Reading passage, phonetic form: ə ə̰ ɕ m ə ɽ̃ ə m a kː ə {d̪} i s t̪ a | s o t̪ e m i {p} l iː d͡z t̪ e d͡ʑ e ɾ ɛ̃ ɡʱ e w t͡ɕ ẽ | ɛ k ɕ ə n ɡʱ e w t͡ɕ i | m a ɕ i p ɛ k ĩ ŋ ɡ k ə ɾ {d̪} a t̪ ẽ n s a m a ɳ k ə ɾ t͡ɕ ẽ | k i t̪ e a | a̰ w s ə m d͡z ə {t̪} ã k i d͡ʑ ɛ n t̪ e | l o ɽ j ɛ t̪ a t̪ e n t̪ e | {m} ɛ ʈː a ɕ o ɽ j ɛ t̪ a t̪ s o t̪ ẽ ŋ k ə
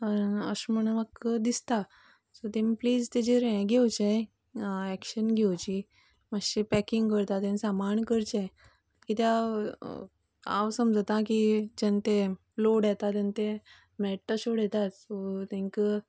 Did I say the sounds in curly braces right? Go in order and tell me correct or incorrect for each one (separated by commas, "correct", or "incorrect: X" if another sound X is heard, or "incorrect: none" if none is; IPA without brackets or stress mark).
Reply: correct, correct, incorrect: t̪, correct, correct